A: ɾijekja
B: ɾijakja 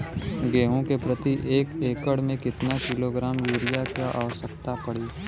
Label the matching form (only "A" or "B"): B